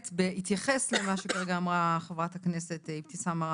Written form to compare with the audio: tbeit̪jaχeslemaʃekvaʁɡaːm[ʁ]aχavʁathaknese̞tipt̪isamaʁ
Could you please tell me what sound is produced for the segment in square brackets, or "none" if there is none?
ʁ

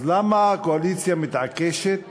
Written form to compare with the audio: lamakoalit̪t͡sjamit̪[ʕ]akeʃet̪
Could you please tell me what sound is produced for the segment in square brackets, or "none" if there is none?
ʕ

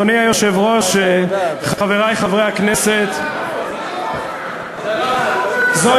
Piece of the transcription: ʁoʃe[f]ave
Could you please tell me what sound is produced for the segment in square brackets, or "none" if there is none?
χ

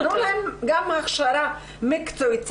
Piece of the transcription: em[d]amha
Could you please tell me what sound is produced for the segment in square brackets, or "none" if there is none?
ɡ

